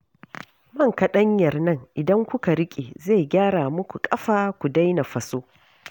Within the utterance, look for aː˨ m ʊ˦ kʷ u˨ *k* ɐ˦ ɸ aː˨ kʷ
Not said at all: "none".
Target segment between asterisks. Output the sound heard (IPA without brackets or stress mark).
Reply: kʼ